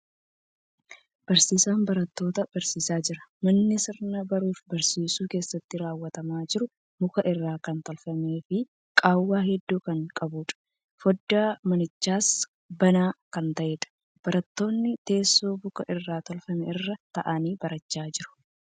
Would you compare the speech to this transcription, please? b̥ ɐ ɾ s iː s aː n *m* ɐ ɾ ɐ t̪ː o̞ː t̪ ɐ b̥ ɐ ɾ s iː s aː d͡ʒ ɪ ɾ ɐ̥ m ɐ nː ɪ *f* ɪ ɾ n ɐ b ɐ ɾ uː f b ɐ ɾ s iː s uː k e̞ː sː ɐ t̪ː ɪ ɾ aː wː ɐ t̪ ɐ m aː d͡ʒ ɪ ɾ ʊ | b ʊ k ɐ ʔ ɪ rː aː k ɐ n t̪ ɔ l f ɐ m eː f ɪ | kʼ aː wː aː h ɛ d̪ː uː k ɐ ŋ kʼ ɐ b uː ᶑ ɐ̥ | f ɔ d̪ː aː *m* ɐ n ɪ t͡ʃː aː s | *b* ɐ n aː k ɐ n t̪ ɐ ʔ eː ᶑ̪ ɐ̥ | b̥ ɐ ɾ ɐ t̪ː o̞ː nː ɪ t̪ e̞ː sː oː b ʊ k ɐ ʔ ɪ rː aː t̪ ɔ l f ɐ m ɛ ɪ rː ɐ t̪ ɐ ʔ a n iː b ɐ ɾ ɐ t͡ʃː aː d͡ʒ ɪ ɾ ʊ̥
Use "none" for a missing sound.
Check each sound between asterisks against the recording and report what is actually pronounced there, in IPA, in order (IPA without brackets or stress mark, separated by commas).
b, s, m, b